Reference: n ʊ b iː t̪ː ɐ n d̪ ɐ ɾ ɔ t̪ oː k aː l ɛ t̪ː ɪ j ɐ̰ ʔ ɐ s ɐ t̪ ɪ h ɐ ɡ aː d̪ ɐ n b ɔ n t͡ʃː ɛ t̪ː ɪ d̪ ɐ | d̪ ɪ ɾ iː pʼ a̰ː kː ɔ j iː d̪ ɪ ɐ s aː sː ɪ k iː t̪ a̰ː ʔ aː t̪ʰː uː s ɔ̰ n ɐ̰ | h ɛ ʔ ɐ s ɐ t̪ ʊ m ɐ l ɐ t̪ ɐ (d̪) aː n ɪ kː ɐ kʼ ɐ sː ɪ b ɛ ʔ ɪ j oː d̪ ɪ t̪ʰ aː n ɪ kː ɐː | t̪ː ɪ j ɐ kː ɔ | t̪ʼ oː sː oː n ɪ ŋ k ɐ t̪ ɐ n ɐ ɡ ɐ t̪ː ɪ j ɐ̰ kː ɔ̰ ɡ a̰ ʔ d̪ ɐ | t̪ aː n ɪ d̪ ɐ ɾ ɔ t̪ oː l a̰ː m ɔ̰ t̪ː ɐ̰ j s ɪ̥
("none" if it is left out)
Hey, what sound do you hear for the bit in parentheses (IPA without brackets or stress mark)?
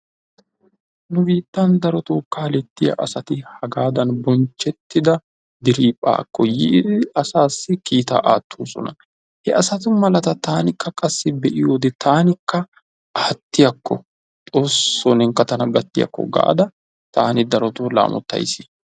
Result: t̪